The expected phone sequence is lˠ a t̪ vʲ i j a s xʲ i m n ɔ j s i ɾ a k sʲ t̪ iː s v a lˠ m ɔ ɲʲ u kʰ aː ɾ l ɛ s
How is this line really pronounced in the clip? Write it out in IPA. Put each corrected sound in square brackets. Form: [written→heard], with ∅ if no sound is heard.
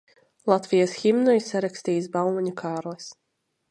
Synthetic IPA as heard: lˠ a t̪ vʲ i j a s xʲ i m n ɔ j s [i→a] ɾ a k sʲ t̪ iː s [v→b] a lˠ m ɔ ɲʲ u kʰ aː ɾ l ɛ s